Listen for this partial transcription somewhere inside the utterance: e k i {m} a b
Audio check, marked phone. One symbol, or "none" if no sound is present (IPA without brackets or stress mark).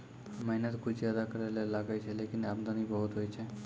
n